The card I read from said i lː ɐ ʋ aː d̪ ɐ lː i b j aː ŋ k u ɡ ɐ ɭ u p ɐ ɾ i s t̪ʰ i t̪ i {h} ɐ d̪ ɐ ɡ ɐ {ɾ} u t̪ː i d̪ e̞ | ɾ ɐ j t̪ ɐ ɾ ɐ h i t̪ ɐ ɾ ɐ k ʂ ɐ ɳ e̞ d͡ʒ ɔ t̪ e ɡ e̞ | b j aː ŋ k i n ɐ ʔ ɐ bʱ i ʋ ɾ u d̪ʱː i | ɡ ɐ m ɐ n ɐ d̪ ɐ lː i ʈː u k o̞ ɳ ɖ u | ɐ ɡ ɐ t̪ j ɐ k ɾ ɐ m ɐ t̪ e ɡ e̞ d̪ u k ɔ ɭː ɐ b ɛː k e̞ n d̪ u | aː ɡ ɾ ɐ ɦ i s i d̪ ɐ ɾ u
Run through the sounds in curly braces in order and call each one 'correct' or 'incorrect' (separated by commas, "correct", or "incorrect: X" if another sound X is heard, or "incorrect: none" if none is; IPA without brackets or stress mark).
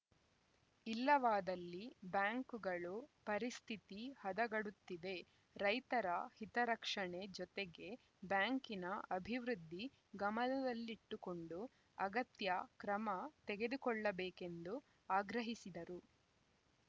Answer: correct, incorrect: ɽ